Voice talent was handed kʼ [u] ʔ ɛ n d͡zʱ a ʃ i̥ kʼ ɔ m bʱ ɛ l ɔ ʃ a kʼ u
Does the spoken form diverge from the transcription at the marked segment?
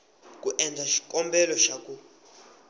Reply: no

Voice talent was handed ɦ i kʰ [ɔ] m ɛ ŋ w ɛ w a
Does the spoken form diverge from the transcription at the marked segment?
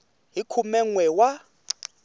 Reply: yes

